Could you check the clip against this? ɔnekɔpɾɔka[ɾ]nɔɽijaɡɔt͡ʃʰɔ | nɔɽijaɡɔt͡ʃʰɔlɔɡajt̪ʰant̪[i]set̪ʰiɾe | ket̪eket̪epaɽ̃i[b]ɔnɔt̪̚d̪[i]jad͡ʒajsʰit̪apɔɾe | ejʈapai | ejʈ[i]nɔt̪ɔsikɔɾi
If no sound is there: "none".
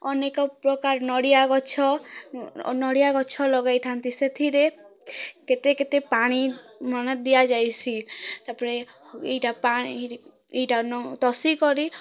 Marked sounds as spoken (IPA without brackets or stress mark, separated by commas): ɾ, i, m, i, a